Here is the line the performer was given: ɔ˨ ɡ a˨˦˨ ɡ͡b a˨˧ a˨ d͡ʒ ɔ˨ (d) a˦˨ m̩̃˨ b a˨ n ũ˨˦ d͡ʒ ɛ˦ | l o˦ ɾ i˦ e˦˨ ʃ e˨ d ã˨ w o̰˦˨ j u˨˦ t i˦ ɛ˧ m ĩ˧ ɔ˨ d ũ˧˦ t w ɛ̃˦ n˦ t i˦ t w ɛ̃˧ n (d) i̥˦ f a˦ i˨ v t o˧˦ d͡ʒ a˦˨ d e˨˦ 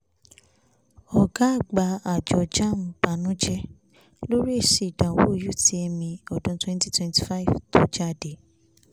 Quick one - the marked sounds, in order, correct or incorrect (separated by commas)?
incorrect, incorrect